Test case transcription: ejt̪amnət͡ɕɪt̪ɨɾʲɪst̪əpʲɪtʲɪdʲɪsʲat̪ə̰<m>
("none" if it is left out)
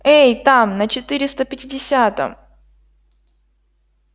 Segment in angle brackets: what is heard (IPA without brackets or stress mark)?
m